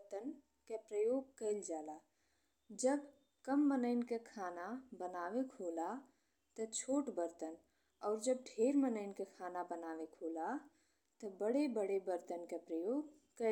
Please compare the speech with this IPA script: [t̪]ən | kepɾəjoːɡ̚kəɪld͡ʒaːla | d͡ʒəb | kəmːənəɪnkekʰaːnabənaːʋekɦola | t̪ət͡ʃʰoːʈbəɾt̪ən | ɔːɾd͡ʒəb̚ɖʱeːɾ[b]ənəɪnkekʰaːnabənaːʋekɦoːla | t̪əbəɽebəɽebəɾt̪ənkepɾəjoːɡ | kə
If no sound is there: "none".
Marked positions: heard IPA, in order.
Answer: t̪, m

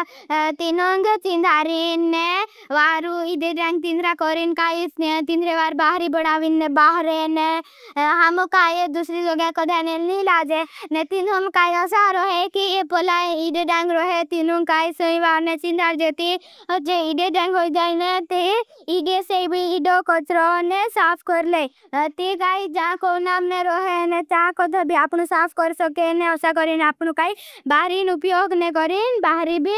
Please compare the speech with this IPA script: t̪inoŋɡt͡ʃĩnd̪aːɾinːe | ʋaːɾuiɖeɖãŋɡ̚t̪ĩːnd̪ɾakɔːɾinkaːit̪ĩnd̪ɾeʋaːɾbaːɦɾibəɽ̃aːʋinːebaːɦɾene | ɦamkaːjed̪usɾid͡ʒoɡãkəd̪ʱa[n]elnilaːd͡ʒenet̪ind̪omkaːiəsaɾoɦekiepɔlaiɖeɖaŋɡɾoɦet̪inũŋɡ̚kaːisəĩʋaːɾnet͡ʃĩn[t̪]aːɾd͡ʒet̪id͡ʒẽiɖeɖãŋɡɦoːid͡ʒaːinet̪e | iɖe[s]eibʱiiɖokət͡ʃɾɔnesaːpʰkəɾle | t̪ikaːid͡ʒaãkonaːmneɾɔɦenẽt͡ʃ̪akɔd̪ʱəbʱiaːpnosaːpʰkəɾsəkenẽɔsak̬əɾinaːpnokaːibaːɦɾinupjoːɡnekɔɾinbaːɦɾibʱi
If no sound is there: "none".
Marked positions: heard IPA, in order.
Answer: n, d̪, s

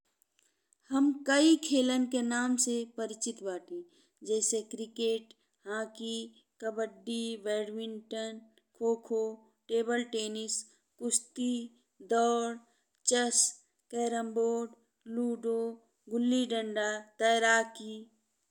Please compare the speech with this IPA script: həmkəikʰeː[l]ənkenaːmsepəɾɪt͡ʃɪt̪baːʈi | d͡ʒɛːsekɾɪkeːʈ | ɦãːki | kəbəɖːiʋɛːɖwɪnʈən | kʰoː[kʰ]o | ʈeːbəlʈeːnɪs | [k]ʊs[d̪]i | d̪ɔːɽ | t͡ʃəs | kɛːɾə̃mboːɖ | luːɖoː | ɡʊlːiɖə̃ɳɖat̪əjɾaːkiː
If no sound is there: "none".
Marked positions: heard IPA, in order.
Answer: l, kʰ, k, t̪

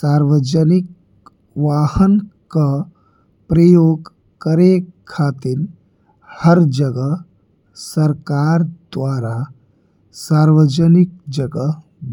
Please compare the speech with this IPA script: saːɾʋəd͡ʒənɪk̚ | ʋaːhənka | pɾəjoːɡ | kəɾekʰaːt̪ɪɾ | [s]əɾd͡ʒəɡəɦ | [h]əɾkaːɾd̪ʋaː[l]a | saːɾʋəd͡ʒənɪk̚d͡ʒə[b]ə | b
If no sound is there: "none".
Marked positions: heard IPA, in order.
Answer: h, s, ɾ, ɡ

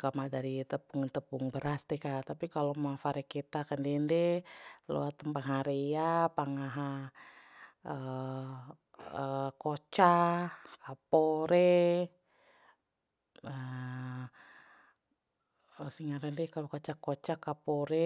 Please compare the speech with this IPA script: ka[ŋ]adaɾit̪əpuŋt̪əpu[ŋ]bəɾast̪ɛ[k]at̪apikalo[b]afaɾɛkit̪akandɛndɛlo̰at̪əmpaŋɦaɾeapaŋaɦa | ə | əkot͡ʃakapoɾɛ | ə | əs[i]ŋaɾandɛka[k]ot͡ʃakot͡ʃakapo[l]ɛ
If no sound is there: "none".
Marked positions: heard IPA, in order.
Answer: m, ŋ, k, m, i, k, ɾ

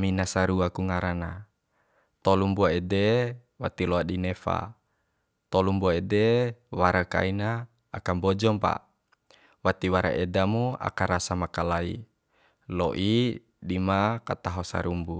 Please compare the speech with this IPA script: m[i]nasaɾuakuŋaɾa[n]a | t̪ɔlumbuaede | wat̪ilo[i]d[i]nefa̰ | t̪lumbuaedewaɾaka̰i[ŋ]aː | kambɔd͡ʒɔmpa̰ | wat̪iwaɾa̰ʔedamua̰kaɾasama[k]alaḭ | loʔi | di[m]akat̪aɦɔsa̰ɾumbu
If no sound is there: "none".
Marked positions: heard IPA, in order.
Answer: i, n, a, i, n, k, m

